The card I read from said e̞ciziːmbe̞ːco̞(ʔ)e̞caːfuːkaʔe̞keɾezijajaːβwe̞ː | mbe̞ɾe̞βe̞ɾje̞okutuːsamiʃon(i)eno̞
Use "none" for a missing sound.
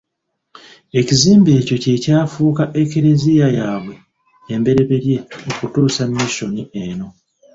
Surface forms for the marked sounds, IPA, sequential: c, i

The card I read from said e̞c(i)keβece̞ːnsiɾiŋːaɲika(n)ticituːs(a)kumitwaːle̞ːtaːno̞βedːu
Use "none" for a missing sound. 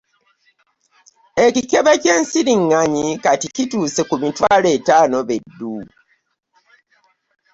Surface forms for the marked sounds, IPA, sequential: i, none, e

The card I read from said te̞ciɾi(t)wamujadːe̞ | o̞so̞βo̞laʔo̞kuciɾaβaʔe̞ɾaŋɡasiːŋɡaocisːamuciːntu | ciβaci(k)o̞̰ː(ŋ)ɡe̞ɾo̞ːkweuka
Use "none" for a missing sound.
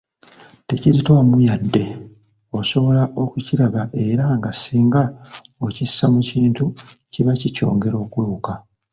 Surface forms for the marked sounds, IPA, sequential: t, c, ŋ

